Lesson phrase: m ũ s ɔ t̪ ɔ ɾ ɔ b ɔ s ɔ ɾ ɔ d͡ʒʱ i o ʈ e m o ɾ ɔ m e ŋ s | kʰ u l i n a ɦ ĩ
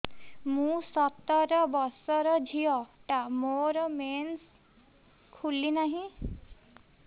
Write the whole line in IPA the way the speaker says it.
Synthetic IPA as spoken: m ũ s ɔ t̪ ɔ ɾ ɔ b ɔ s ɔ ɾ ɔ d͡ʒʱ i ɔ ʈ a m o ɾ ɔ m e n s | kʰ u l i n a ɦ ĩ